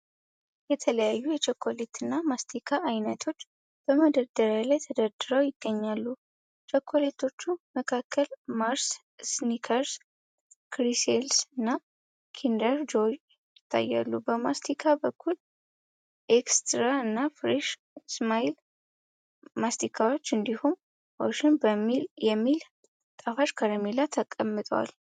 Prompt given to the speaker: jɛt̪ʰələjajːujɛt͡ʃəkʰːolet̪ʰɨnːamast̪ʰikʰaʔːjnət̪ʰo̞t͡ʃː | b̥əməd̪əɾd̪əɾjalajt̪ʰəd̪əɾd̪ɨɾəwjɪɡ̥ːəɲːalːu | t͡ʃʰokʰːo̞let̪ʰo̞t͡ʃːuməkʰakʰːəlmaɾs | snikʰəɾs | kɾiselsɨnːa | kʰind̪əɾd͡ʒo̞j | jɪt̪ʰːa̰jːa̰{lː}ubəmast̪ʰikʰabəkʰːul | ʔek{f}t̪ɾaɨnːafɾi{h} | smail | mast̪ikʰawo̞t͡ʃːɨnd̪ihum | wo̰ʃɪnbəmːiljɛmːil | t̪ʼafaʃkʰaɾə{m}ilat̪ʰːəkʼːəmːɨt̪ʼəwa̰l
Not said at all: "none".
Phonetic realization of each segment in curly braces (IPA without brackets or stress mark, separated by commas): lː, s, ʃ, m